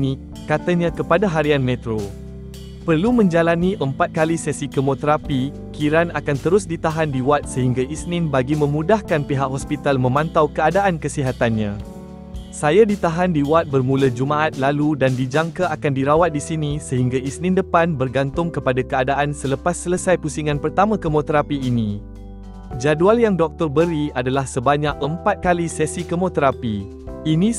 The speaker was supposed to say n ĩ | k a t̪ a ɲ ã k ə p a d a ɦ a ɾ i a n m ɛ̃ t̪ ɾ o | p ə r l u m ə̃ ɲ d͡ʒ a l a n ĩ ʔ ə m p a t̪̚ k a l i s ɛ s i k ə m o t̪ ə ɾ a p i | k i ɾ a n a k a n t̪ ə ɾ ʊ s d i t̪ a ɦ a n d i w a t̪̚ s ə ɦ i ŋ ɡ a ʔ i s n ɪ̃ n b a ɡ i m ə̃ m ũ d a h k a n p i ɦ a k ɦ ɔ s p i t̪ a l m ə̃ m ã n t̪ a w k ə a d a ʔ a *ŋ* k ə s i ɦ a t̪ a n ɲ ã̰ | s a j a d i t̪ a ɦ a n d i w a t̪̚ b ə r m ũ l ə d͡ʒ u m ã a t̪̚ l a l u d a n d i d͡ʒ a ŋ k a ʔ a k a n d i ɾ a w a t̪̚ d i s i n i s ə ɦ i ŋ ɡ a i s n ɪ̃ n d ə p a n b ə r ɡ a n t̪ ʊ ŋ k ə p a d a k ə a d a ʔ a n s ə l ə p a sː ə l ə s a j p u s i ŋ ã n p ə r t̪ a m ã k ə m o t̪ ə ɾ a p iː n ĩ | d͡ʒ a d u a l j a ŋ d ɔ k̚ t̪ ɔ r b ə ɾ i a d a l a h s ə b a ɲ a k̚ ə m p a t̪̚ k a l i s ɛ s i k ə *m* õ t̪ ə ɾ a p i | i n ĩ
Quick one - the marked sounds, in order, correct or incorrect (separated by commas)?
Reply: incorrect, correct